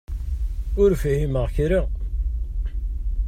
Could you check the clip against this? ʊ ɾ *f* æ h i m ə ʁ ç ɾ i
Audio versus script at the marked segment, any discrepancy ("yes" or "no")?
no